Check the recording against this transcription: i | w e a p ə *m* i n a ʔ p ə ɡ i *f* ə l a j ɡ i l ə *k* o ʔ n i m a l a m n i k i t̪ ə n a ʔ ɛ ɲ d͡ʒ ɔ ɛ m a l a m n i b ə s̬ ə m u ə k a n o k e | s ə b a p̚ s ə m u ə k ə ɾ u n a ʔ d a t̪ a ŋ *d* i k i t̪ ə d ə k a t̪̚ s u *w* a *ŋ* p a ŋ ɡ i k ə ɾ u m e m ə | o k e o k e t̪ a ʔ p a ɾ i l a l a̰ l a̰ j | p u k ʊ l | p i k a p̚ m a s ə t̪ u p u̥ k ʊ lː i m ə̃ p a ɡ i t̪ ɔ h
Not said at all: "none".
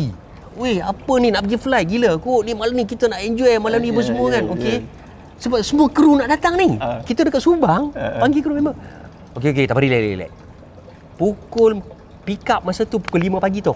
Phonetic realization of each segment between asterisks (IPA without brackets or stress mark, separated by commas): n, f, k, n, b, ŋ